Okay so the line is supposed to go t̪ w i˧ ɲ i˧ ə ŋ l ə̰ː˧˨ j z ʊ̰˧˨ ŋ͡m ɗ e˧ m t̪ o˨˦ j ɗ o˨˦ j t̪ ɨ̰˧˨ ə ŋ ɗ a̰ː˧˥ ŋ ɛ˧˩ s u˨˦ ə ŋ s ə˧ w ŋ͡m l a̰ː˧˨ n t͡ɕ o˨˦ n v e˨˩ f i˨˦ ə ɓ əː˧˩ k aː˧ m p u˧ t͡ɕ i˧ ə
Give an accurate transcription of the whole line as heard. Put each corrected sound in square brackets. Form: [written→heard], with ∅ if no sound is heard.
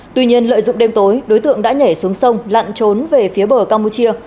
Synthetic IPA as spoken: t̪ w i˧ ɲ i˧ ə [ŋ→n] l ə̰ː˧˨ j z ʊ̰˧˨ ŋ͡m ɗ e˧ m t̪ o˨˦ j ɗ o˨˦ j t̪ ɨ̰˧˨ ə ŋ ɗ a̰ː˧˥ [ŋ→ɲ] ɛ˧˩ s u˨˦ ə ŋ s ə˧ w ŋ͡m l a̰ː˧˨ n t͡ɕ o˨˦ n v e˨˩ f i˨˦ ə ɓ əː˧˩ k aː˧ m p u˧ t͡ɕ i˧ ə